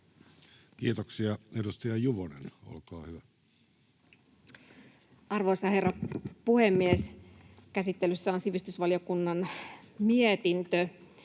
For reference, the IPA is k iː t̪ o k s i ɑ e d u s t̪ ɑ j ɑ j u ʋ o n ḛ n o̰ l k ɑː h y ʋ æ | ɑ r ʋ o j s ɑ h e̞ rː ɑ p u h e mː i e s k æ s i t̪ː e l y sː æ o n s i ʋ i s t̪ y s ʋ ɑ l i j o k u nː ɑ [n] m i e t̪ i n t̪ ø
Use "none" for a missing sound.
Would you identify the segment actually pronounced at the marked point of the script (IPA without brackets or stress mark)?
n